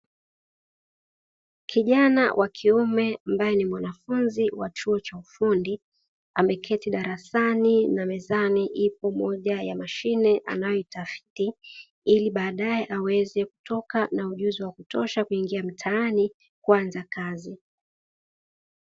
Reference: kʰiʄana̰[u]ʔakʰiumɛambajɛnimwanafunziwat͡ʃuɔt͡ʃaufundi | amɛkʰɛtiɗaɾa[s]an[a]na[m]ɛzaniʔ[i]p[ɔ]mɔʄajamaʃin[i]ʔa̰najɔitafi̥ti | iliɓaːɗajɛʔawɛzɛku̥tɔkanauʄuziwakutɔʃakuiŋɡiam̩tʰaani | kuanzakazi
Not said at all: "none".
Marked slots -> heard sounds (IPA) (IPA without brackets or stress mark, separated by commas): w, s, i, m, i, ɔ, ɛ